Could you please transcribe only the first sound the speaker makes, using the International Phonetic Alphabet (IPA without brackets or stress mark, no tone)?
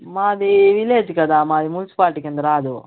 m